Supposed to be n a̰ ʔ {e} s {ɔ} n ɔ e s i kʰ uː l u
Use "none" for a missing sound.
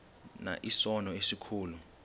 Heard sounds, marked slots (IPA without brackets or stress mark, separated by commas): i, ɔ